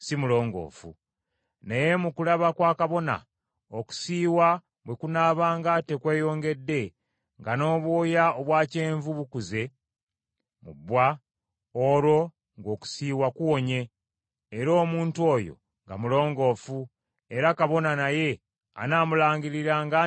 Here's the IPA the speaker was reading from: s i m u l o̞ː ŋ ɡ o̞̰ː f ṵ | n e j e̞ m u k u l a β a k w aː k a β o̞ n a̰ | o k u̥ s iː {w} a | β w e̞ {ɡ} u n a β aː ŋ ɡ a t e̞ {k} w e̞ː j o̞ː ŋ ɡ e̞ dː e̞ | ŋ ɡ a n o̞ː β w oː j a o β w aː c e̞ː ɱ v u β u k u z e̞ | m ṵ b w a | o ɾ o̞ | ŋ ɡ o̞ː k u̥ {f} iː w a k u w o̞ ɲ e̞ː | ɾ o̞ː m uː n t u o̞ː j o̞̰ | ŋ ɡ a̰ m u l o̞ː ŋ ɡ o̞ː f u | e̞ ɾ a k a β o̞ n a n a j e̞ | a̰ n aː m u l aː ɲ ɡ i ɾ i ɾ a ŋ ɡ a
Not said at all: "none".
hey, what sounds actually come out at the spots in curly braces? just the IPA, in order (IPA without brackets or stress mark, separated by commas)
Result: w, k, k, s